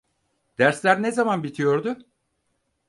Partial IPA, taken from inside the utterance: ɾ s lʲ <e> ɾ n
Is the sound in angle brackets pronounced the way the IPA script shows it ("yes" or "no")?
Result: no